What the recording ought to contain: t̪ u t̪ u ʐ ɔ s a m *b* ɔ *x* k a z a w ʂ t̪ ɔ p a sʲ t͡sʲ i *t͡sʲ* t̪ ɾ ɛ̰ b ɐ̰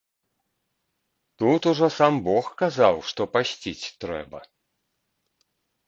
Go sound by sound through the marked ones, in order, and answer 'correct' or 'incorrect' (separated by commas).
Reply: correct, correct, correct